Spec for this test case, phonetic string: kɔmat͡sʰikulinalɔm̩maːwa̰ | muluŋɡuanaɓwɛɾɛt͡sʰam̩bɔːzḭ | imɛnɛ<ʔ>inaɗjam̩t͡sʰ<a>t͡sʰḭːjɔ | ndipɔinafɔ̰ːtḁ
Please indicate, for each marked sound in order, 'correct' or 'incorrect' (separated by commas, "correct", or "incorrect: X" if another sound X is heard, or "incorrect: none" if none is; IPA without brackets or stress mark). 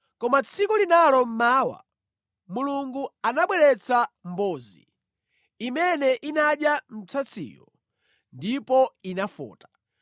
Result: correct, correct